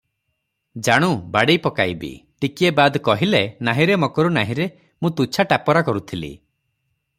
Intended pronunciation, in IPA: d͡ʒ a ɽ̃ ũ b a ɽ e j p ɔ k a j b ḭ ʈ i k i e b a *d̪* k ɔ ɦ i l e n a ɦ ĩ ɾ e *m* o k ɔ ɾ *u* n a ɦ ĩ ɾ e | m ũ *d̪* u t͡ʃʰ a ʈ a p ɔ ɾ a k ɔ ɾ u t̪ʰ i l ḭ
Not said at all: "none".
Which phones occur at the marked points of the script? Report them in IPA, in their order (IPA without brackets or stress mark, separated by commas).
d̪, m, u, t̪